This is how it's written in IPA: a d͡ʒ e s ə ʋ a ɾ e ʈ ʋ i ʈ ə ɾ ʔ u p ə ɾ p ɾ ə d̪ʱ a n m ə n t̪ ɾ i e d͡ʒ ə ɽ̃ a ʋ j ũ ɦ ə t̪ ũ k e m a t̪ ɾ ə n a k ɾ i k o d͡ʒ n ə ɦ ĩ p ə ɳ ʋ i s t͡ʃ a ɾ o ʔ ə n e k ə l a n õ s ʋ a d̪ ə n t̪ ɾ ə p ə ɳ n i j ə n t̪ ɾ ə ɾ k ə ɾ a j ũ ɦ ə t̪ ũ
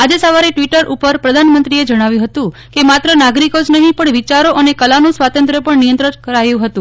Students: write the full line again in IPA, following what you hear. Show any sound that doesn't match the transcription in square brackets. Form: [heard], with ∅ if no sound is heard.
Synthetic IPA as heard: a d͡ʒ e s ə ʋ a ɾ e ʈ ʋ i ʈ ə ɾ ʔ u p ə ɾ p ɾ ə d̪ʱ a n m ə n t̪ ɾ i e d͡ʒ ə ɽ̃ a ʋ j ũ ɦ ə t̪ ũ k e m a t̪ ɾ ə n a [ɡ] ɾ i k o d͡ʒ n ə ɦ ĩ p ə ɳ ʋ i [∅] t͡ʃ a ɾ o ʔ ə n e k ə l a n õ s ʋ a [t̪] ə n t̪ ɾ ə p ə ɳ n i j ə n t̪ ɾ ə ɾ k ə ɾ a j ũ ɦ ə t̪ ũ